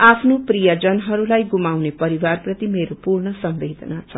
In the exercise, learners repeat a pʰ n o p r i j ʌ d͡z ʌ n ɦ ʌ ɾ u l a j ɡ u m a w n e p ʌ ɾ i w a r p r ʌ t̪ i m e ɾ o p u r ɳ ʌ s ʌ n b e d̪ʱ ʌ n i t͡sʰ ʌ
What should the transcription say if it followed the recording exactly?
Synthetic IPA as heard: a pʰ n o p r i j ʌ d͡z ʌ n ɦ ʌ ɾ u l a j ɡ u m a w n e p ʌ ɾ i w a r p r ʌ t̪ i m e ɾ o p u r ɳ ʌ s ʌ m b e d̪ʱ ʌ n a t͡sʰ ʌ